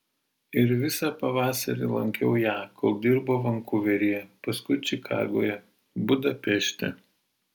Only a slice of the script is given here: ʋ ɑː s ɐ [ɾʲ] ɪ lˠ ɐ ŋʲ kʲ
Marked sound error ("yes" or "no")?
no